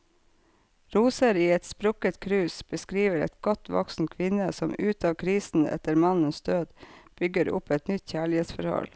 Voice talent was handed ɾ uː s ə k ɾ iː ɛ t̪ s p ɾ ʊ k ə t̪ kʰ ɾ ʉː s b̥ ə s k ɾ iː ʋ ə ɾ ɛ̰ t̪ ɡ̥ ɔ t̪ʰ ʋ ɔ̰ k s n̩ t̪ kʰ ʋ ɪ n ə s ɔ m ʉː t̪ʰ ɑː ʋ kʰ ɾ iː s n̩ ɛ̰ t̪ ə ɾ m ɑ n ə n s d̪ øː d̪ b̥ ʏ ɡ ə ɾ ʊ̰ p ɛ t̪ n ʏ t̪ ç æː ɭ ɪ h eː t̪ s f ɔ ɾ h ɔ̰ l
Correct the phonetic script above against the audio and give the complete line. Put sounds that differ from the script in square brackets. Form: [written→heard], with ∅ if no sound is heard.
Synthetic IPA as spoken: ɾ uː s ə [k→∅] ɾ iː ɛ t̪ s p ɾ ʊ k ə t̪ kʰ ɾ ʉː s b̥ ə s k ɾ iː ʋ ə ɾ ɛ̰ t̪ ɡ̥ ɔ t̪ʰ ʋ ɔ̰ k s n̩ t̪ kʰ ʋ ɪ n ə s ɔ m ʉː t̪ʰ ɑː ʋ kʰ ɾ iː s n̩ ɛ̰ t̪ ə ɾ m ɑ n ə n s d̪ øː d̪ b̥ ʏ ɡ ə ɾ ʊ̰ p ɛ t̪ n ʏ t̪ ç æː ɭ ɪ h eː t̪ s f ɔ ɾ h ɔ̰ l